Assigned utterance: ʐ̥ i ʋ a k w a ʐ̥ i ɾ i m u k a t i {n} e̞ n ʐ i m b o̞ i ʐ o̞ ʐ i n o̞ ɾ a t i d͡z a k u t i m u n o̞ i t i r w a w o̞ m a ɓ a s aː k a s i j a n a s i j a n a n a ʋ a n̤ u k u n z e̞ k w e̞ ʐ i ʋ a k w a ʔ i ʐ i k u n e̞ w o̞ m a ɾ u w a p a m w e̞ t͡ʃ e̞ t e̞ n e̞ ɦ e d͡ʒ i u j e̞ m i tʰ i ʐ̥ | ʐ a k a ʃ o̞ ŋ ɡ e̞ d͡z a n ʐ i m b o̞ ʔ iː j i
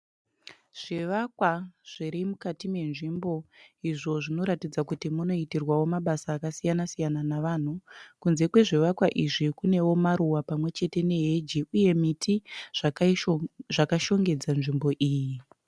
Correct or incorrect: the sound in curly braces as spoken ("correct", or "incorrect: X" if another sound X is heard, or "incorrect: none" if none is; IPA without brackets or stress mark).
incorrect: m